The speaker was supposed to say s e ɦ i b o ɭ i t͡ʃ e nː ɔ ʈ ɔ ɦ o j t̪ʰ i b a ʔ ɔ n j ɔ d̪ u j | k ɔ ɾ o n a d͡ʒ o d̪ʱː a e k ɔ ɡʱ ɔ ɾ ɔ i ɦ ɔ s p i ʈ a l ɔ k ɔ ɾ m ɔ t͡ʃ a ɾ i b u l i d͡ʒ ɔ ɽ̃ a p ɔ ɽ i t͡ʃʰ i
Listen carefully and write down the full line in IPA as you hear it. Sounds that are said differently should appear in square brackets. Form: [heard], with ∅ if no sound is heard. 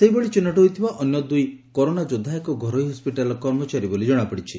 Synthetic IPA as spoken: s e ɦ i b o ɭ i t͡ʃ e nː ɔ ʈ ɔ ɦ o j t̪ʰ i b a ʔ ɔ n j ɔ d̪ u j | k ɔ ɾ o n a d͡ʒ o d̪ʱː a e k ɔ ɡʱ ɔ ɾ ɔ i ɦ ɔ s p i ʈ a l ɔ k ɔ ɾ m ɔ t͡ʃ a ɾ i b [o] l i d͡ʒ ɔ ɽ̃ a p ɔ ɽ i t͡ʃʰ i